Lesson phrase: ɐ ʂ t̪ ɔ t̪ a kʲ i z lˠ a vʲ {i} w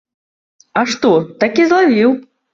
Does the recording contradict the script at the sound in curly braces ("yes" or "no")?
no